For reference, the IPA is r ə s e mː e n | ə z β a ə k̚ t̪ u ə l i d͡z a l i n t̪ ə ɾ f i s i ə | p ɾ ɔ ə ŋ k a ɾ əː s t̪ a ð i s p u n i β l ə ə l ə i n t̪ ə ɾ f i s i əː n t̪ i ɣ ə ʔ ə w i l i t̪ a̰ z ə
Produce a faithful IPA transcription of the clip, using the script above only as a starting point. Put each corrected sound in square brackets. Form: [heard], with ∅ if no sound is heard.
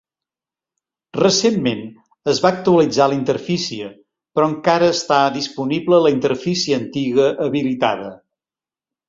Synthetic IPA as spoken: r ə s e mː e n | ə z β a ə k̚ t̪ u ə l i d͡z a l i n t̪ ə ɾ f i s i ə | p ɾ ɔ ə ŋ k a ɾ əː s t̪ a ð i s p u n i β l ə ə l ə i n t̪ ə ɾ f i s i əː n t̪ i ɣ ə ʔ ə [β] i l i t̪ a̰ [ð] ə